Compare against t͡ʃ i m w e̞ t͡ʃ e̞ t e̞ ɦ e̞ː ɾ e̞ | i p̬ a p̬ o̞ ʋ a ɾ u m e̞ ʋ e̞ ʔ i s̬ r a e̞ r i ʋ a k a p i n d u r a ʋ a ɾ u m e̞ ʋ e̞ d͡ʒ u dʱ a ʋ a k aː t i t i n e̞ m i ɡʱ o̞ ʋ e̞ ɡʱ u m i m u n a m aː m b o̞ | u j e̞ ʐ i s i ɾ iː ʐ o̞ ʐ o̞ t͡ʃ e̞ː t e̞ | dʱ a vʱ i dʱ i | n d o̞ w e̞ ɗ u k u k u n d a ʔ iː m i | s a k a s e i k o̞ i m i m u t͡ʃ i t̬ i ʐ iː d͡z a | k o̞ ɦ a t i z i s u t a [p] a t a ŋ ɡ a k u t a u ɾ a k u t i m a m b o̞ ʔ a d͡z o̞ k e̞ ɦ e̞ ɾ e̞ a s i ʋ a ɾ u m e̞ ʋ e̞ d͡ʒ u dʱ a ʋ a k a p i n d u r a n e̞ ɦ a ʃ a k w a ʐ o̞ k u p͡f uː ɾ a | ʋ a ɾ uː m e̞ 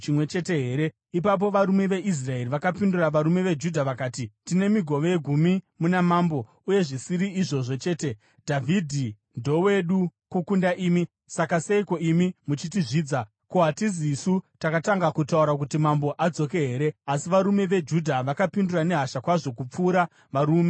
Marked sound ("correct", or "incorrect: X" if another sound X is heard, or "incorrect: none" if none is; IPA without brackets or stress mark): incorrect: k